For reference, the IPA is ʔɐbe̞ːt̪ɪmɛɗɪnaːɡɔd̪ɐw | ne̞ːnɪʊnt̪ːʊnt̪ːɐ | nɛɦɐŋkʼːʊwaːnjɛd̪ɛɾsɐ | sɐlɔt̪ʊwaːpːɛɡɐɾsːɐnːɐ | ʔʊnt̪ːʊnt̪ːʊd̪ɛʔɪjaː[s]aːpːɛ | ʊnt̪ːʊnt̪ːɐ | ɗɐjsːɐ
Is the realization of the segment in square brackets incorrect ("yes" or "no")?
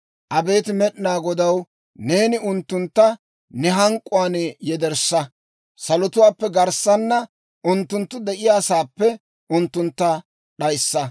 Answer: no